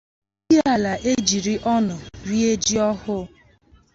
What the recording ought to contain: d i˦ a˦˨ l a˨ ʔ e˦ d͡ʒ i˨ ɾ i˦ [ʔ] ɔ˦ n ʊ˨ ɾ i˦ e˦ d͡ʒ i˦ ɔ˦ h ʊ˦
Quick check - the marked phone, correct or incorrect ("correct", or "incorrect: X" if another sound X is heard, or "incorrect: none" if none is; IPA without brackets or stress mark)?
correct